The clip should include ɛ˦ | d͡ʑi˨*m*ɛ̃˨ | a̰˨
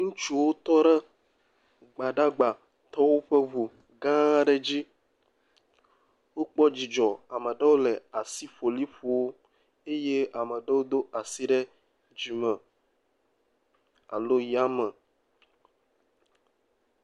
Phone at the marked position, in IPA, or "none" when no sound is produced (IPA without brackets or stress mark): m